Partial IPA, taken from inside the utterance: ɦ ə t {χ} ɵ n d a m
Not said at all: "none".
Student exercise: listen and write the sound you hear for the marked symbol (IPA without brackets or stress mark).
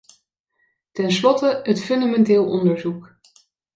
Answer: f